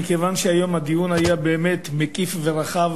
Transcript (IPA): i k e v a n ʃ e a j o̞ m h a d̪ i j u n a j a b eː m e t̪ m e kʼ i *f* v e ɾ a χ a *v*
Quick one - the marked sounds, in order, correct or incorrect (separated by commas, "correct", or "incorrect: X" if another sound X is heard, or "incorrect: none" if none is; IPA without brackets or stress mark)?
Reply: correct, correct